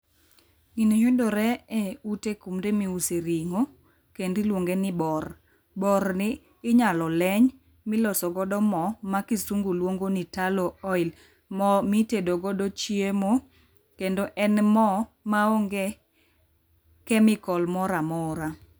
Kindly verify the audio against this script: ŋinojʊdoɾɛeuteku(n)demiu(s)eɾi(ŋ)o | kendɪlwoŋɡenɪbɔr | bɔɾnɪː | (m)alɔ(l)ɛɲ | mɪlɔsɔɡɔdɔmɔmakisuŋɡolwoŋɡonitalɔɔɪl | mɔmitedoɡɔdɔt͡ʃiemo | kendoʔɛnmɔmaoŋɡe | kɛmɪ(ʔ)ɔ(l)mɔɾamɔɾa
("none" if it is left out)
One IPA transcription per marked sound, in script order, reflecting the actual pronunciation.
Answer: m, s, ŋ, ɲ, l, k, l

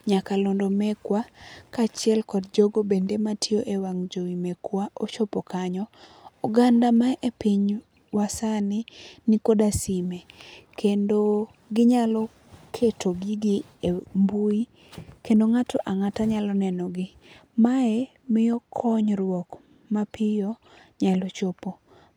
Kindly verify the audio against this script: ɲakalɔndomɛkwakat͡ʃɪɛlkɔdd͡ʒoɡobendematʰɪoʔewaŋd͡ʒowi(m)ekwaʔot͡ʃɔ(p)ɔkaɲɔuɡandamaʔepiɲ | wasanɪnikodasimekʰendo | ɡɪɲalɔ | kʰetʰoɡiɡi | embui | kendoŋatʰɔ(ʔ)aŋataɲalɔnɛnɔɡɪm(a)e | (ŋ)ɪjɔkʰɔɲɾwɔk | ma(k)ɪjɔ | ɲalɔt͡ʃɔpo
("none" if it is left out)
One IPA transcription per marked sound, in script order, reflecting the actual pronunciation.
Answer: m, p, ʔ, a, m, p

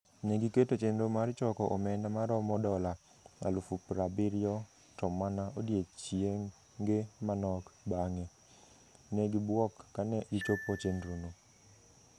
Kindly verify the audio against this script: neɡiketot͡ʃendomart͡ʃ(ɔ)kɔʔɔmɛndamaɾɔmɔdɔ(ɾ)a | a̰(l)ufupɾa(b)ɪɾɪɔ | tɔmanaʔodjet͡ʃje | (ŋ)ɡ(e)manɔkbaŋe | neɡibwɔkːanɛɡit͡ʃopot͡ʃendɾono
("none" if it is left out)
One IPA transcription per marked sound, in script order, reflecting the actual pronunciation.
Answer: ɔ, l, l, b, ŋ, e

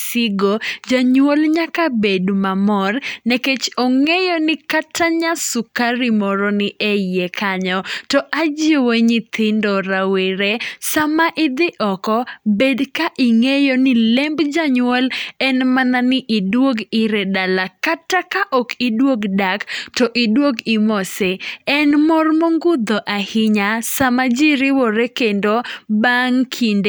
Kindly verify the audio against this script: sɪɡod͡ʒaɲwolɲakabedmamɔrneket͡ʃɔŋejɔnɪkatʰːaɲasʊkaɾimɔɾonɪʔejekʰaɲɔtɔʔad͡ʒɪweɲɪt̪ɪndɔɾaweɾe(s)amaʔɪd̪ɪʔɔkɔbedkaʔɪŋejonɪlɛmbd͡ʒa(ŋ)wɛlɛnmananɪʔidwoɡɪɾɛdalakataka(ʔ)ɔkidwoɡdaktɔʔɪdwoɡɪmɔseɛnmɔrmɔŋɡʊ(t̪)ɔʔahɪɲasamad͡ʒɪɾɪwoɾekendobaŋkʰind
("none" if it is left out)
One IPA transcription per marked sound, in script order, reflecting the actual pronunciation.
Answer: s, ɲ, ʔ, d̪

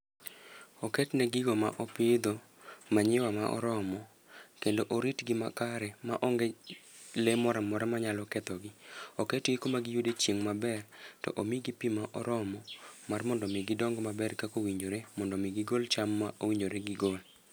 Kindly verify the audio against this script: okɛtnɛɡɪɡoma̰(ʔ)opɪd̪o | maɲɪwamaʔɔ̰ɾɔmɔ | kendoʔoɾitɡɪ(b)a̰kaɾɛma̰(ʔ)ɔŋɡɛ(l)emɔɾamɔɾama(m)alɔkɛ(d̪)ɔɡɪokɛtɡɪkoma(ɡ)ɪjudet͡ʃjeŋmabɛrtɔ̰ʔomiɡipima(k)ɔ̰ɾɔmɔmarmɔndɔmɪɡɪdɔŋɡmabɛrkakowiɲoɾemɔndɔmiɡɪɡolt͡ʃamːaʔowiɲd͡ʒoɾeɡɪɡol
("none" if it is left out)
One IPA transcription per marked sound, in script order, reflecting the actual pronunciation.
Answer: ʔ, m, ʔ, l, ɲ, t̪, ɡ, ʔ

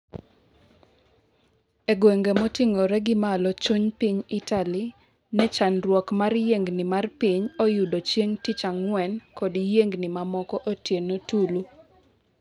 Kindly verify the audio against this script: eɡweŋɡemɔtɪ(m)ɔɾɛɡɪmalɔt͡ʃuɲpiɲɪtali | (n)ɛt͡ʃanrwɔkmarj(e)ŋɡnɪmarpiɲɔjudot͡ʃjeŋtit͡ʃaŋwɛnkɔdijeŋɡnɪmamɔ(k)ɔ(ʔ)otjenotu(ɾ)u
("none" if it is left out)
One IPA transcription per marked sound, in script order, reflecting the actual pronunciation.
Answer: ŋ, n, e, k, ʔ, l

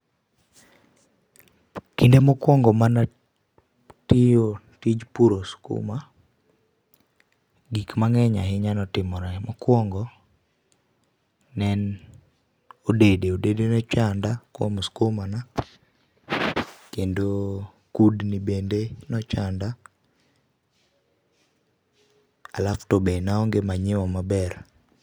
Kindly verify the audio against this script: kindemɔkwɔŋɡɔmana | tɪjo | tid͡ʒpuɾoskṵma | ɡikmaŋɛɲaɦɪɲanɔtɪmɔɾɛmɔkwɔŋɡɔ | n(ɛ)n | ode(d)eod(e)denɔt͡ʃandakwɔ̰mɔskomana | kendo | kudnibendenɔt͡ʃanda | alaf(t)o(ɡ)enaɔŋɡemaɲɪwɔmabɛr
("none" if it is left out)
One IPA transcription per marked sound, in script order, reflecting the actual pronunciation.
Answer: ɛ, d, e, t, b

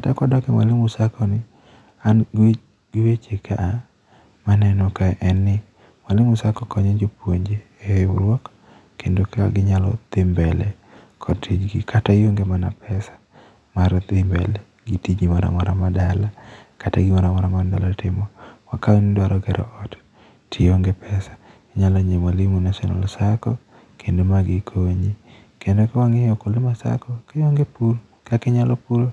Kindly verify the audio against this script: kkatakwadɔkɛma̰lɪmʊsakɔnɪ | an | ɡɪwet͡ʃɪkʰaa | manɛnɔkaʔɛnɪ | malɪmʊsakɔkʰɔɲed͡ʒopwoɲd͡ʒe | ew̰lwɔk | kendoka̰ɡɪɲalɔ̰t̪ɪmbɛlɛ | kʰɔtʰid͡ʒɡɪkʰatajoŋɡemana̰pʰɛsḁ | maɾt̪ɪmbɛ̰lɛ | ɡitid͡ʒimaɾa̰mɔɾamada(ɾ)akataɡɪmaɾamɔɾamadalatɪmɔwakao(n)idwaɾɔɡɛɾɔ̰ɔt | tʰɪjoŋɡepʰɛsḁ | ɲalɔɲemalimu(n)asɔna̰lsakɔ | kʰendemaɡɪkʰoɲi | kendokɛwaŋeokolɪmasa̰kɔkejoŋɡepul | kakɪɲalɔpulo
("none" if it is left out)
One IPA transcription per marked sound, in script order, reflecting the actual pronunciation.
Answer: l, n, n

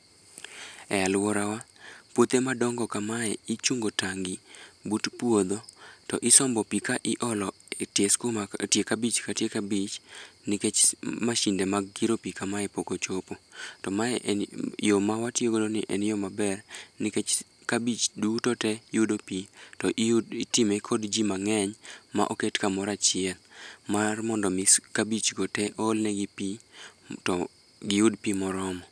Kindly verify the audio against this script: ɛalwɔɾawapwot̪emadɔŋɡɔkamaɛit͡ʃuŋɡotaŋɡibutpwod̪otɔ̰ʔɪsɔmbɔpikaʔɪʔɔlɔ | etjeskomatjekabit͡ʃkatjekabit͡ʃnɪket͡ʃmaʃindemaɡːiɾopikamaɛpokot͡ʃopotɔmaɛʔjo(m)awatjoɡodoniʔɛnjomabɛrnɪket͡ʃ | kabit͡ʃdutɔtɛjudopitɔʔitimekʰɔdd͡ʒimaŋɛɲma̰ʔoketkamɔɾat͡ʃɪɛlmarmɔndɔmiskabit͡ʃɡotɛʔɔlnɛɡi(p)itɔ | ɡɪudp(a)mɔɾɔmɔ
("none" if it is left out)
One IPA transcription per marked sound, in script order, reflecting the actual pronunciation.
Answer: m, p, i

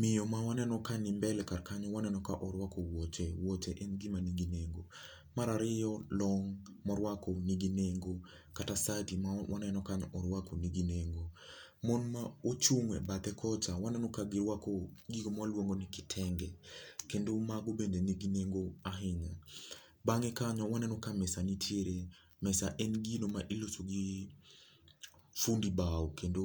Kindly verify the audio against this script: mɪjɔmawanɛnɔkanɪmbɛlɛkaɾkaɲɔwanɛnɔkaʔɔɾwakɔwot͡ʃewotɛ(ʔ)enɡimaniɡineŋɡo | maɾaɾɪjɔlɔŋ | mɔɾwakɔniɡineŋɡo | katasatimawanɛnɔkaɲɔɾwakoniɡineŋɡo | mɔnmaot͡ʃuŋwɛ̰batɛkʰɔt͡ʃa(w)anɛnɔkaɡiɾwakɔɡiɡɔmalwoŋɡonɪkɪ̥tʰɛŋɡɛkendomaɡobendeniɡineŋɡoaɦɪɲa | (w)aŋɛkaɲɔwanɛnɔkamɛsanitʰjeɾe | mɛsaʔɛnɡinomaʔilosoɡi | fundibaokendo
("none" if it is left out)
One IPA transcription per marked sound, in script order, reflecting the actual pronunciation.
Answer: ʔ, w, b

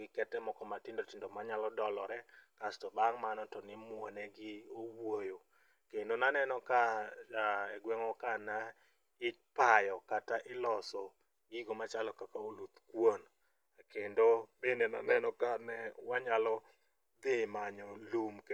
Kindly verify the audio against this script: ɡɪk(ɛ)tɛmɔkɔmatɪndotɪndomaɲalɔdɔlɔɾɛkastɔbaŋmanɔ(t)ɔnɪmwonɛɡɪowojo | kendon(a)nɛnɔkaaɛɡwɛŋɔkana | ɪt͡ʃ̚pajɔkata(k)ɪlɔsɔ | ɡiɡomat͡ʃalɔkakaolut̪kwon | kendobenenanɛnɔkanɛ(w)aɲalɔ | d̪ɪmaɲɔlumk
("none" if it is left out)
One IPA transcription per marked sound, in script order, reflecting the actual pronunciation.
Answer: ɛ, t, a, ʔ, w

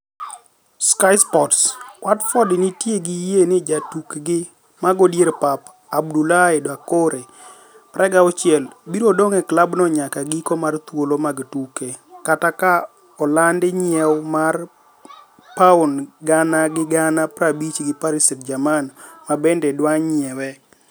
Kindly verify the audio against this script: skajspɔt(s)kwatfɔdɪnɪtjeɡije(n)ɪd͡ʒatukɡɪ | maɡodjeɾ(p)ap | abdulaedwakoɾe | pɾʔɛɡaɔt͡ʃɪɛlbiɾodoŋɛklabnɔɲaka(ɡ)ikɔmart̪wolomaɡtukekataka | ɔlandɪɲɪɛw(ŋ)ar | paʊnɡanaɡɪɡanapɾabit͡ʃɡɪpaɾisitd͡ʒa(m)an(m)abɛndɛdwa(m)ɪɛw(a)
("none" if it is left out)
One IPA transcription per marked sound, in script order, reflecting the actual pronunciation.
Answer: s, n, p, ɡ, m, m, m, ɲ, ɛ

